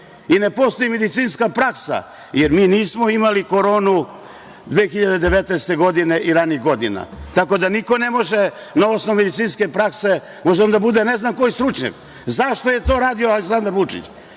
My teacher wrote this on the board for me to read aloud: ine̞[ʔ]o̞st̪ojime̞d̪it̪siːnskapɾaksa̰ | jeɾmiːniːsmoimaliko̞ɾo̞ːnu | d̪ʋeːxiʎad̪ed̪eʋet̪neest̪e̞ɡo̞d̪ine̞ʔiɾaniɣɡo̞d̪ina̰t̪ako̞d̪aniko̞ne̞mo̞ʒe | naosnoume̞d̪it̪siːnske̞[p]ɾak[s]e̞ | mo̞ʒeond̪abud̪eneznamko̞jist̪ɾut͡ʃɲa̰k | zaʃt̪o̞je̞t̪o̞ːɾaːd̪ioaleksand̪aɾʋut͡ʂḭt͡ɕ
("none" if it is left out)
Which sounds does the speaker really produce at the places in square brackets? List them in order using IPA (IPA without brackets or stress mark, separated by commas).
p, p, s